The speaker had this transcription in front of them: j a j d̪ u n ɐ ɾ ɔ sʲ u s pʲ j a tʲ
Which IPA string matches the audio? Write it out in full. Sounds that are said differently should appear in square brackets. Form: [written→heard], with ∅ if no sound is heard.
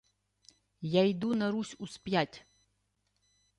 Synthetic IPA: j a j d̪ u n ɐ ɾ [ɔ→u] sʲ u s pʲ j a tʲ